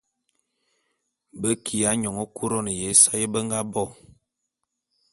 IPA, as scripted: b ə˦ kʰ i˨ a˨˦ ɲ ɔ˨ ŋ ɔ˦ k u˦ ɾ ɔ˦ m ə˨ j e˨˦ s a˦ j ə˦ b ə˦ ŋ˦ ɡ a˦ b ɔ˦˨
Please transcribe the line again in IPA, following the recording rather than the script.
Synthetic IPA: b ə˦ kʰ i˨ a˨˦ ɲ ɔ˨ ŋ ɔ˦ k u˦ ɾ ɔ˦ n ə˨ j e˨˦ s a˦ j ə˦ b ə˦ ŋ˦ ɡ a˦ b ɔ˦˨